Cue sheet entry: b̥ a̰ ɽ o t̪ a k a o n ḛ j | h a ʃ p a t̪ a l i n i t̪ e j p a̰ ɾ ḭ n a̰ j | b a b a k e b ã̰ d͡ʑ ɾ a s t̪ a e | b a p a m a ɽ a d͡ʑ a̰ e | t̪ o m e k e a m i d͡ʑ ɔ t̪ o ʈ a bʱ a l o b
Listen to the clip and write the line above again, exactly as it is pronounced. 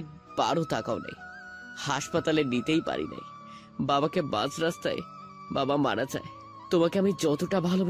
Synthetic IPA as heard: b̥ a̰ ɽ o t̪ a k a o n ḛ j | h a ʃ p a t̪ a l e n i t̪ e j p a̰ ɾ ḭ n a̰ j | b a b a k e b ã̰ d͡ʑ ɾ a s t̪ a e | b a b a m a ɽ a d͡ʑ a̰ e | t̪ o m a k e a m i d͡ʑ ɔ t̪ o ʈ a bʱ a l o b